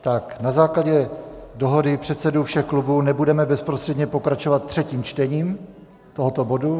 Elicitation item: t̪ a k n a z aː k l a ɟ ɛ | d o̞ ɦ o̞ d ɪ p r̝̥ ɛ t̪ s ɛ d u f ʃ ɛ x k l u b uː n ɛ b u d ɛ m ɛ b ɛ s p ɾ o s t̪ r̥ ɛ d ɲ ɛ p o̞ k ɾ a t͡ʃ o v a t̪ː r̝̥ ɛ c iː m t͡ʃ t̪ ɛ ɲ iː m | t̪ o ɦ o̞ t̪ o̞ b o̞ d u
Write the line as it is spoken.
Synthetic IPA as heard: t̪ a k n a z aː k l a ɟ ɛ | d o̞ ɦ o̞ d ɪ p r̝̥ ɛ t̪ s ɛ d u f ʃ ɛ x k l u b uː n ɛ b u d ɛ m ɛ b ɛ s p ɾ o s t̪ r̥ ɛ d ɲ ɛ p o̞ k ɾ a t͡ʃ o v a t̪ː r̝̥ ɛ c iː m t͡ʃ t̪ ɛ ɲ iː m | t̪ o ɦ o̞ t̪ o̞ b o̞ d u